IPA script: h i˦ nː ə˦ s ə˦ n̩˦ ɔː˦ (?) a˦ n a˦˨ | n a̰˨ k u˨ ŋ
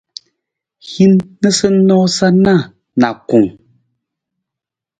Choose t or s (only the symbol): s